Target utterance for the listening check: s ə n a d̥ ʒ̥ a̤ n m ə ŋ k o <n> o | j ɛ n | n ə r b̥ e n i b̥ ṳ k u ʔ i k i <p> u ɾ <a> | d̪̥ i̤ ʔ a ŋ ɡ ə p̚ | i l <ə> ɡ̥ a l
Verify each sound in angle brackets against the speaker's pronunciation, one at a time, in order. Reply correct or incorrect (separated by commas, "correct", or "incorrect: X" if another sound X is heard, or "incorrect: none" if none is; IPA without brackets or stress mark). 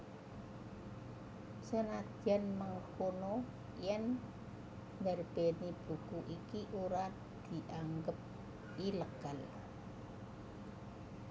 correct, incorrect: ʔ, correct, correct